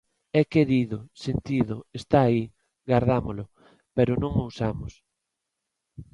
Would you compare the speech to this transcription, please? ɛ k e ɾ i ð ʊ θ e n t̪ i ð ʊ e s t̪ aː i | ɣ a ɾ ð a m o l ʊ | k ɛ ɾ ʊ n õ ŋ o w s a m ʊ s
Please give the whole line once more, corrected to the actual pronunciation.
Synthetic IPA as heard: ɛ k e ɾ i ð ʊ s e n t̪ i ð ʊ e s t̪ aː i | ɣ a ɾ ð a m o l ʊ | p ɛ ɾ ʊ n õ ŋ o w s a m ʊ s